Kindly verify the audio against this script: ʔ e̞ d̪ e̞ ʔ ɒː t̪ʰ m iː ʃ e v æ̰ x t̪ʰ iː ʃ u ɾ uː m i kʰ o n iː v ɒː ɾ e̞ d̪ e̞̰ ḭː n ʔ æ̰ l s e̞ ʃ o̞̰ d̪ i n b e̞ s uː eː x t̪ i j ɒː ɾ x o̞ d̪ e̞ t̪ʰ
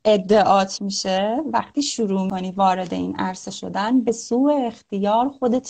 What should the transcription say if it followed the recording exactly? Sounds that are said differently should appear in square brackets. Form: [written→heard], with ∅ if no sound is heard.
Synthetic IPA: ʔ e̞ [d̪→d̪ː] e̞ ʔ ɒː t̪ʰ m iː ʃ e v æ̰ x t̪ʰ iː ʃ u ɾ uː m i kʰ o n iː v ɒː ɾ e̞ d̪ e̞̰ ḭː n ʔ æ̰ [l→ɾ] s e̞ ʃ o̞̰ d̪ [i→æ] n b e̞ s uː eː x t̪ i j ɒː ɾ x o̞ d̪ e̞ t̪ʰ